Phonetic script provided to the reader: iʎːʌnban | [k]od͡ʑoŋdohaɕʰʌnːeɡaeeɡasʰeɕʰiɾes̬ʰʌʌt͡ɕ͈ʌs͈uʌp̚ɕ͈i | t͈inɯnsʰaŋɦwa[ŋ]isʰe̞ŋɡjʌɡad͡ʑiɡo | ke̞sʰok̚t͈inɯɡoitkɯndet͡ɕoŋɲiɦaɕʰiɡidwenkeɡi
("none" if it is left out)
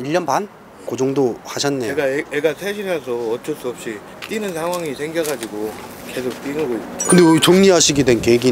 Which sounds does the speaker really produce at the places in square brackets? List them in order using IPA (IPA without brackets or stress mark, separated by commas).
k, ŋ